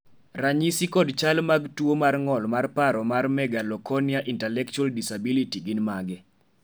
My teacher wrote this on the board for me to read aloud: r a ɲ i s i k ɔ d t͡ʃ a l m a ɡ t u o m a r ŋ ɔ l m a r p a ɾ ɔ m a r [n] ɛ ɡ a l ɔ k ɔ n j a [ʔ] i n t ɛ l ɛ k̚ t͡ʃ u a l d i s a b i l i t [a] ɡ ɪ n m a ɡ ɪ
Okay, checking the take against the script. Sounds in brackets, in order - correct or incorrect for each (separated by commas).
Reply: incorrect, correct, incorrect